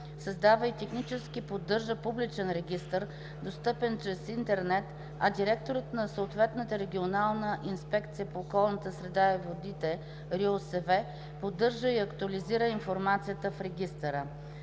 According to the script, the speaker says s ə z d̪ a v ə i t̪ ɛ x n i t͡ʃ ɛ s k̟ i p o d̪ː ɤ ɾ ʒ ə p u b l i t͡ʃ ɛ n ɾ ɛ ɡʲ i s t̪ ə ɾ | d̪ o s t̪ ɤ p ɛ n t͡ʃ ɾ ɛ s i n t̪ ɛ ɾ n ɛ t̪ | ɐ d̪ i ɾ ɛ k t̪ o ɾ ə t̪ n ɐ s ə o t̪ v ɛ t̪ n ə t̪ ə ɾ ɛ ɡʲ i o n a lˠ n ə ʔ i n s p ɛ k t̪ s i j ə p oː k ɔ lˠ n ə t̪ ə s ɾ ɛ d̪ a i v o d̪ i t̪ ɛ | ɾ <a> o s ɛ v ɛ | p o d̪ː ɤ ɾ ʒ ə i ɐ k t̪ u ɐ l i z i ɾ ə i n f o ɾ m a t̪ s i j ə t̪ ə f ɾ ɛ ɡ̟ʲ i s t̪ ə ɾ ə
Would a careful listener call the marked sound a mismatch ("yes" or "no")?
yes